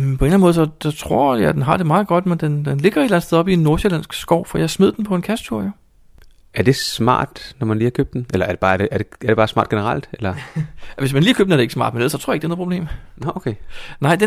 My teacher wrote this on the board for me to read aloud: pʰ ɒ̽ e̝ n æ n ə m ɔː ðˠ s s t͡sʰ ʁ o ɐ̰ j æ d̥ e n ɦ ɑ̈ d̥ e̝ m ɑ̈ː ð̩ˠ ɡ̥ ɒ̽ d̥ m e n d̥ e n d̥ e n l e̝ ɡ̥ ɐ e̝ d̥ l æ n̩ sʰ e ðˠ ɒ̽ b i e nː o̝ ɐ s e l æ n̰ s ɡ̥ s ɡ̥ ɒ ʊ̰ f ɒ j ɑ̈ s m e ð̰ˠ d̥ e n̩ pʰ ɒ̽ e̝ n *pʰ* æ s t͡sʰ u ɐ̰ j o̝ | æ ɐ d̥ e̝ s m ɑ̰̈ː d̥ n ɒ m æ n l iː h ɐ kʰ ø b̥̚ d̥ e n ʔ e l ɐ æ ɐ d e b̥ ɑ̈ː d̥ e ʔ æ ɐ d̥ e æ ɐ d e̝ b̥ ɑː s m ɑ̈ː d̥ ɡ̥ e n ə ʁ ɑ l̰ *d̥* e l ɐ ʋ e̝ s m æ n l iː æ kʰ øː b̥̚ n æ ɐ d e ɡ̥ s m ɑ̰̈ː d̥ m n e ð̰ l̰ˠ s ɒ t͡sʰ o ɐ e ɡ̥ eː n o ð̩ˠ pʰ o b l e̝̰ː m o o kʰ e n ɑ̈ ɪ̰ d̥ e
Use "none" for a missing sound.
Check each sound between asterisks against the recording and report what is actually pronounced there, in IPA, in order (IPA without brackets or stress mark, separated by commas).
kʰ, d̥